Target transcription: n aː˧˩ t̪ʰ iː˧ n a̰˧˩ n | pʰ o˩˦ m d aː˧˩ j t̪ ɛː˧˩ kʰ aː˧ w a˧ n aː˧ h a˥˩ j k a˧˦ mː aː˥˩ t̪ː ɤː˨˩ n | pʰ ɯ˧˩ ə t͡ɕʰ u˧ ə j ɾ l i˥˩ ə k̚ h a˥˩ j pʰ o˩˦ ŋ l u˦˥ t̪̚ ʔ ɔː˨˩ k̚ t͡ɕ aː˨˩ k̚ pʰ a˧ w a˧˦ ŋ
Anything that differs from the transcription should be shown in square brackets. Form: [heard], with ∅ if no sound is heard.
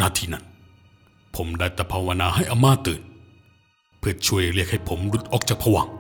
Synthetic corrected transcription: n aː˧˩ t̪ʰ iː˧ n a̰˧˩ n | pʰ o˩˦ m d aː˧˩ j t̪ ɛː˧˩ [pʰ] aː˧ w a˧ n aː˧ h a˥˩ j [ʔ] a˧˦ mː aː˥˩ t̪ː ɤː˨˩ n | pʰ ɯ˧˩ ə t͡ɕʰ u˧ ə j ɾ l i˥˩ ə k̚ h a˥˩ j pʰ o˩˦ [m] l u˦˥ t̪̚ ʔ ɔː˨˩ k̚ t͡ɕ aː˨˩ k̚ pʰ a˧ w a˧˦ ŋ